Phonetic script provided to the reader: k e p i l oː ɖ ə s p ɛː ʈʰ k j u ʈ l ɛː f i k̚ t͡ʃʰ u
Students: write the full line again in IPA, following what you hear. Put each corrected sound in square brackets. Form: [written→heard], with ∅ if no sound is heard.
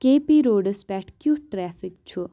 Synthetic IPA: k e p i [l→ɾ] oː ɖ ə s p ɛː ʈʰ k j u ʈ [l→ɾ] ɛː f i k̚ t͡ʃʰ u

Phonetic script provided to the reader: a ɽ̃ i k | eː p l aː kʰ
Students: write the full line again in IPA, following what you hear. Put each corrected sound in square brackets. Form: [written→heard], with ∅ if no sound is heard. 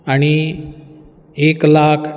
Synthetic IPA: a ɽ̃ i [k→∅] | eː [p→k] l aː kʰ

